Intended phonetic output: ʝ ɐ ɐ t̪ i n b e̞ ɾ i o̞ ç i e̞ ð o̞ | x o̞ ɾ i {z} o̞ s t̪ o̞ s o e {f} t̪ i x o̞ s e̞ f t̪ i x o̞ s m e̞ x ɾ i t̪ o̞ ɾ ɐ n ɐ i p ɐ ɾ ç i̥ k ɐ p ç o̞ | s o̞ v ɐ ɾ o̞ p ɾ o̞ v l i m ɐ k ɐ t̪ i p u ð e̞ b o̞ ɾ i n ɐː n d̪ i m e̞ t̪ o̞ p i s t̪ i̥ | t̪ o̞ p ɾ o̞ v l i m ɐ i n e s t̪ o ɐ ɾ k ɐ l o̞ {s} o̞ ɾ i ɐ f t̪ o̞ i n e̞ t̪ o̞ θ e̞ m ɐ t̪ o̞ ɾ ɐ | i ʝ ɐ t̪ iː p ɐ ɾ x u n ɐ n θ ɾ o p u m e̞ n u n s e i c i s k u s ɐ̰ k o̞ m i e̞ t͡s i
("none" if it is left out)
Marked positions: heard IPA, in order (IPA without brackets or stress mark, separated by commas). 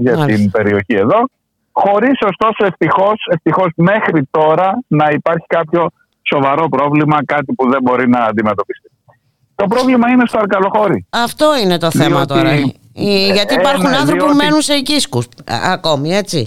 s, f, x